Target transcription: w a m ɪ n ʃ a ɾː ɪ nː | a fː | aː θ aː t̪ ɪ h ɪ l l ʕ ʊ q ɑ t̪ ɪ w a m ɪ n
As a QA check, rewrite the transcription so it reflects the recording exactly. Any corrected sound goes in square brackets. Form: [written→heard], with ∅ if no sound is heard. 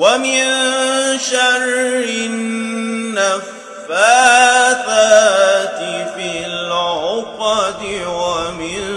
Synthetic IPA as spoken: w a m ɪ n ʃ a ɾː ɪ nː | a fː | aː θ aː t̪ ɪ [h→f] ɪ l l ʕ ʊ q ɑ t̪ ɪ w a m ɪ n